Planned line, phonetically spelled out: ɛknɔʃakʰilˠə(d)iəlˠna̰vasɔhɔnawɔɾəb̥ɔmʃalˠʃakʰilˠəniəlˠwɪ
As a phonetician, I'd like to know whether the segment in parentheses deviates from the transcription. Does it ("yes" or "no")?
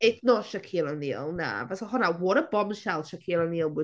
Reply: yes